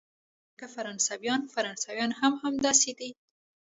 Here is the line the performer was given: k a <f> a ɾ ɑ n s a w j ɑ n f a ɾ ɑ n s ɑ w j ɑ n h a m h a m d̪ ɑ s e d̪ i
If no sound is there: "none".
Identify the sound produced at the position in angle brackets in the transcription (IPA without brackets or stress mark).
f